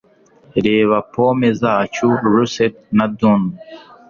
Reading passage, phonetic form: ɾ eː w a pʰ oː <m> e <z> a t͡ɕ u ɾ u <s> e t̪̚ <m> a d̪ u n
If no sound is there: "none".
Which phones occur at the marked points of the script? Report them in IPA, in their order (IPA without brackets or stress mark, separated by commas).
m, z, s, n